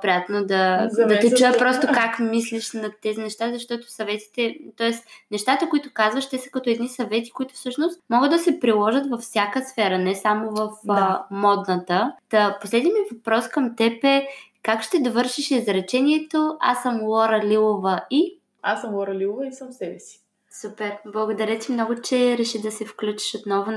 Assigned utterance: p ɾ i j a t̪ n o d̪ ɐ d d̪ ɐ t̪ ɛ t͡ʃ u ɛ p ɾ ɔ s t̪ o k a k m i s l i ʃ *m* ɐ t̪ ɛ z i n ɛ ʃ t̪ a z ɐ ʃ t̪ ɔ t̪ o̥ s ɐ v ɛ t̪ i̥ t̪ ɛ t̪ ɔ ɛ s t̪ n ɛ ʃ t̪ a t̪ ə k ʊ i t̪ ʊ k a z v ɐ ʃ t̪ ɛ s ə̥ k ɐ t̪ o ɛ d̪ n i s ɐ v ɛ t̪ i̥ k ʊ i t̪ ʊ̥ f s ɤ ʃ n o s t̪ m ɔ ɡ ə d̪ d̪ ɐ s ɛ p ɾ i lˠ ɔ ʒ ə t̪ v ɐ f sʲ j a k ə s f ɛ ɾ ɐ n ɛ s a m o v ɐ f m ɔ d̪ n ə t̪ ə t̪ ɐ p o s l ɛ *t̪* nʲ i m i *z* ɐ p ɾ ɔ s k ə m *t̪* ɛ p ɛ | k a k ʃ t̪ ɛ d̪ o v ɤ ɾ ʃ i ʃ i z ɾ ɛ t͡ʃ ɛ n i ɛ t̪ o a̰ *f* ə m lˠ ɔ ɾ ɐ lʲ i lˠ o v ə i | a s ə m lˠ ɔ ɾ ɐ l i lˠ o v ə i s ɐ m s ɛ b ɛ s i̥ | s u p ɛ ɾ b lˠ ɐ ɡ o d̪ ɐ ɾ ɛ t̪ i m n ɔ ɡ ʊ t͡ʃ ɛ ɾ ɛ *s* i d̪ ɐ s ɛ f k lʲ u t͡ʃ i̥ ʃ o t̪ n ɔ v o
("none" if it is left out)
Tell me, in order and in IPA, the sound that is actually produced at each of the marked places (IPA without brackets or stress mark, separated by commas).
n, d̪, v, t̪, s, ʃ